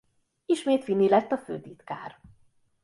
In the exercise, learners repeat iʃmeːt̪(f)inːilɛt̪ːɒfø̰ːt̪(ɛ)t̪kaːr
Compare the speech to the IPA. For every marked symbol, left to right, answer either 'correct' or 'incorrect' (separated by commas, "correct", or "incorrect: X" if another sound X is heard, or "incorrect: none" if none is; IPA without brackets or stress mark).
correct, incorrect: i